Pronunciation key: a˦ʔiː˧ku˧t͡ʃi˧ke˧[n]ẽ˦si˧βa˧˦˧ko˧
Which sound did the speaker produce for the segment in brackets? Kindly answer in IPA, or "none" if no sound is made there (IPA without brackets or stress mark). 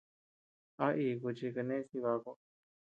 n